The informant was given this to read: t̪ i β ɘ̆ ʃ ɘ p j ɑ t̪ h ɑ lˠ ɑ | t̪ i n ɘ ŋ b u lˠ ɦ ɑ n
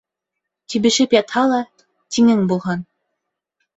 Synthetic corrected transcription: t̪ i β ɘ̆ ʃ ɘ p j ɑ t̪ h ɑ lˠ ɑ | t̪ i ŋ ɘ ŋ b u lˠ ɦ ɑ n

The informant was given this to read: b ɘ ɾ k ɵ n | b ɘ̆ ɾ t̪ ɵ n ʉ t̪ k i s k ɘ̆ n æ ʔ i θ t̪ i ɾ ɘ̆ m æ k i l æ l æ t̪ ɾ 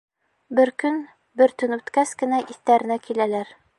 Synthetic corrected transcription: b ɘ ɾ k ɵ n | b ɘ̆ ɾ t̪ ɵ n ʉ t̪ k æ s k ɘ̆ n æ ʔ i θ t̪ æ ɾ ɘ̆ n æ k i l æ l æ ɾ

